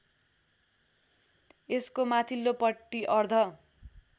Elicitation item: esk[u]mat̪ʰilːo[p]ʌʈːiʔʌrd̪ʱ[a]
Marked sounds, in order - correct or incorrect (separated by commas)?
incorrect, correct, incorrect